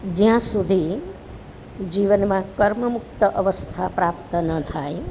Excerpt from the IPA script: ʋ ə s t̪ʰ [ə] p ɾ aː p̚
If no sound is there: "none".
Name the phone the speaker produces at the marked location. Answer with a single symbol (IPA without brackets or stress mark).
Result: a